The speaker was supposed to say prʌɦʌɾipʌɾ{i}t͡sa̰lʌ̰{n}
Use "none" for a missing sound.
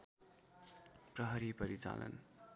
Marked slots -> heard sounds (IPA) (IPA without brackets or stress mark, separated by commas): i, n